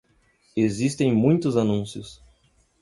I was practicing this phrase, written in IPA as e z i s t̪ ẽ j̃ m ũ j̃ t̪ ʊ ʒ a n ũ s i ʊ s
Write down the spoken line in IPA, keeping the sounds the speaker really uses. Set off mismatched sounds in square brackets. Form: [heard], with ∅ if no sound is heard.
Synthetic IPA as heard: e z i s t̪ ẽ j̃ m ũ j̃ t̪ ʊ [z] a n ũ s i ʊ s